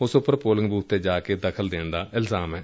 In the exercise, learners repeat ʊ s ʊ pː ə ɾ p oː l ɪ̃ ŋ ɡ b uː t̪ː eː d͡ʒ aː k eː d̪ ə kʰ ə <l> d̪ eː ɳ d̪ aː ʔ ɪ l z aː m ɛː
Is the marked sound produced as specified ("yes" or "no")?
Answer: yes